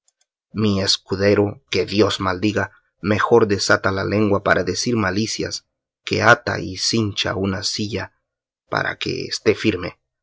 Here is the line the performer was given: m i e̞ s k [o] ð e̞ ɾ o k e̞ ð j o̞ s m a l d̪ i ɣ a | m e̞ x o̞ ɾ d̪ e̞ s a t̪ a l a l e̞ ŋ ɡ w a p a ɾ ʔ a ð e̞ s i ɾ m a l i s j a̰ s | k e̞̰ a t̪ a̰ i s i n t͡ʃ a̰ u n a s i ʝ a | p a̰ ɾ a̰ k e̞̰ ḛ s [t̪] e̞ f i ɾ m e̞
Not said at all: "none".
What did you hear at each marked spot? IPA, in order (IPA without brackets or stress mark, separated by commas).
u, t̪